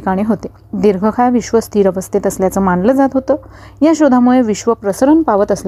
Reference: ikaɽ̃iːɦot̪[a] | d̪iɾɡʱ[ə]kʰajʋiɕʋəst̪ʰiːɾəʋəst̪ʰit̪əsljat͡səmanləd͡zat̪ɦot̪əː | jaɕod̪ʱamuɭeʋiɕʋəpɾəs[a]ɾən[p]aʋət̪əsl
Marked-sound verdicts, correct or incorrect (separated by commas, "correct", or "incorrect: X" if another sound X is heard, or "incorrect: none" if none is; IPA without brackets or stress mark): incorrect: e, correct, incorrect: ə, correct